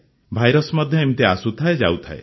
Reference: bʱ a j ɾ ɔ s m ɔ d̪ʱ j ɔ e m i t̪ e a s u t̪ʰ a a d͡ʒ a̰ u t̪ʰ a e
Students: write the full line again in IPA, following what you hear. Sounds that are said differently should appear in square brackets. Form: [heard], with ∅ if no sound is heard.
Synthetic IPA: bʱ a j ɾ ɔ s m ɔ d̪ʱ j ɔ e m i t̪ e a s u t̪ʰ a [e] d͡ʒ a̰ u t̪ʰ a e